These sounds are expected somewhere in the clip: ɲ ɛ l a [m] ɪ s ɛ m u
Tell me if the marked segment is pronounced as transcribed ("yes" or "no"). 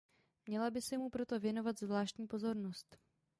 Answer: no